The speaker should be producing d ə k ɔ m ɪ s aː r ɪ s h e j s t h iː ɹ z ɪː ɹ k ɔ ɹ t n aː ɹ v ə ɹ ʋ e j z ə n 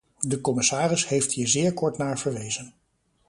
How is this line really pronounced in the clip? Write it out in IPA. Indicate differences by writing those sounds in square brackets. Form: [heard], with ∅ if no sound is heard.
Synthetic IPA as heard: d ə k ɔ m ɪ s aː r ɪ s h e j [f] t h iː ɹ z ɪː ɹ k ɔ ɹ t n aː ɹ v ə ɹ ʋ e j z ə n

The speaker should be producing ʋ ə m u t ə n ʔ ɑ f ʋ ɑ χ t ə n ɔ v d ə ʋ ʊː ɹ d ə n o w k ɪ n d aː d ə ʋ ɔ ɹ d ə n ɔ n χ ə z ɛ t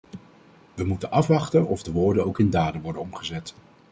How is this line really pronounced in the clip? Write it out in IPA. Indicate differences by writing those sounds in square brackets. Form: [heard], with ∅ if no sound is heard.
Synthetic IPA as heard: ʋ ə m u t ə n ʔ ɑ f ʋ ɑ χ t ə n ɔ v d ə ʋ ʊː ɹ d ə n o w k ɪ n d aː d ə ʋ ɔ ɹ d ə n ɔ [m] χ ə z ɛ t

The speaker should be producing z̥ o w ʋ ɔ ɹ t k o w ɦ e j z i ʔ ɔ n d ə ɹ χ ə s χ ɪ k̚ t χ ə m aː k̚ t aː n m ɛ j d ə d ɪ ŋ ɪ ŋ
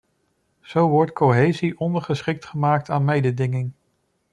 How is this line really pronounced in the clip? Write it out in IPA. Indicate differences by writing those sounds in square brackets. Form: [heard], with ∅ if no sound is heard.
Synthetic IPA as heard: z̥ o w ʋ ɔ ɹ t k o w ɦ e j z i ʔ ɔ n d ə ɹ χ ə s χ ɪ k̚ t χ ə m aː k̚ t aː n m [e] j d ə d ɪ ŋ ɪ ŋ

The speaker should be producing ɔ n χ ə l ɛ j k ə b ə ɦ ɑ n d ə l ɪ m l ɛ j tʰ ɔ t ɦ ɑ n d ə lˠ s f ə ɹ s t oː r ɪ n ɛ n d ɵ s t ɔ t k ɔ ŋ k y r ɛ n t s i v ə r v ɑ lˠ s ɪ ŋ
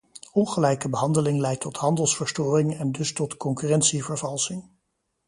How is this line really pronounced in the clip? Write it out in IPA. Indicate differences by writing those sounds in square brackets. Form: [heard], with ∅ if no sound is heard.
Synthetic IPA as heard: ɔ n χ ə l ɛ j k ə b ə ɦ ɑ n d ə l ɪ [ŋ] l ɛ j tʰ ɔ t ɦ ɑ n d ə lˠ s f ə ɹ s t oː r ɪ [ŋ] ɛ n d ɵ s t ɔ t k ɔ ŋ k y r ɛ n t s i v ə [ɹ] v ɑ lˠ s ɪ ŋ

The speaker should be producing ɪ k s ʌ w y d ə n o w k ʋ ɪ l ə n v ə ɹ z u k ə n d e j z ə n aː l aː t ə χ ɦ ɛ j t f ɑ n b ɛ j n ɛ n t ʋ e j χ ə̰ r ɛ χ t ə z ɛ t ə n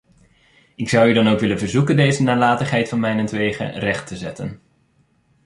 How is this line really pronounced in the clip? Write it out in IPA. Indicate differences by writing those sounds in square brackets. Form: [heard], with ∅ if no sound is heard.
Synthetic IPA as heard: ɪ k s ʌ w y d [ɑ] n o w k ʋ ɪ l ə n v ə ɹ z u k ə n d e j z ə n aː l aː t ə χ ɦ ɛ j t f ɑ n [m] ɛ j n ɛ n t ʋ e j χ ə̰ r ɛ χ t ə z ɛ t ə n

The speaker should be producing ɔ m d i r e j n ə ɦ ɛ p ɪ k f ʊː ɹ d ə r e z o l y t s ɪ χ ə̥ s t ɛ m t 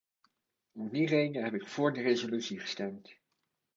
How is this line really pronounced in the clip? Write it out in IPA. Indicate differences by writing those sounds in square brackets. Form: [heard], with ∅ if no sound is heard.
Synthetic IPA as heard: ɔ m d i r e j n ə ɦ ɛ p ɪ k f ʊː ɹ d ə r e z o l y t s [i] χ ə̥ s t ɛ m t

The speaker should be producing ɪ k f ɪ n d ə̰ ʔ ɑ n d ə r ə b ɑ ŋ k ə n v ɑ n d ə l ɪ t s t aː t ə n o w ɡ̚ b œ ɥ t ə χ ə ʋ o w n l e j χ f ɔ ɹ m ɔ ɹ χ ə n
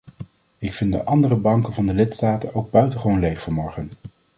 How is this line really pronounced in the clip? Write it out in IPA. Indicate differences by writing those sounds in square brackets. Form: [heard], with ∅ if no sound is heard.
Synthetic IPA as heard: ɪ k f ɪ n d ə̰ ʔ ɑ n d ə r ə b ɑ ŋ k ə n v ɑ n d ə l ɪ t s t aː t ə n o w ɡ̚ b œ ɥ t ə χ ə ʋ o w n l e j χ f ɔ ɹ m ɔ ɹ χ ə n

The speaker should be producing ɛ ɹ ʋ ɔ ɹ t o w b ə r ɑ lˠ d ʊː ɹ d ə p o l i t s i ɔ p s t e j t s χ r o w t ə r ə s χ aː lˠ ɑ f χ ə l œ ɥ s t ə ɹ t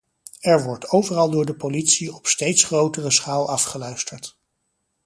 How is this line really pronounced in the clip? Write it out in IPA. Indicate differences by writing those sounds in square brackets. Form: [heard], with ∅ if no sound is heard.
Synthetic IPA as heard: ɛ ɹ ʋ ɔ ɹ t o w [v] ə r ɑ lˠ d ʊː ɹ d ə p o l i t s i ɔ p s t e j t s χ r o w t ə r ə s χ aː lˠ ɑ f χ ə l œ ɥ s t ə ɹ t

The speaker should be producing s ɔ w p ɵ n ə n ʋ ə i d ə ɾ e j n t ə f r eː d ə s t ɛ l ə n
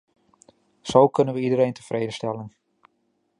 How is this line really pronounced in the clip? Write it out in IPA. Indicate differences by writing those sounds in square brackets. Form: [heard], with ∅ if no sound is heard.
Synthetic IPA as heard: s [o] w [k] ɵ n ə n ʋ ə i d ə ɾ e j n t ə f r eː d ə s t ɛ l ə n

